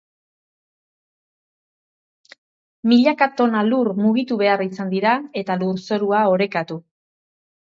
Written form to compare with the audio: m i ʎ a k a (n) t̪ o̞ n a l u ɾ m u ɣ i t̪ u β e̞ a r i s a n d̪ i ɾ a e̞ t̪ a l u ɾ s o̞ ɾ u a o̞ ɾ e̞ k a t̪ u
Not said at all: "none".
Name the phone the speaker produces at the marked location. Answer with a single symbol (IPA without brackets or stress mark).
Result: none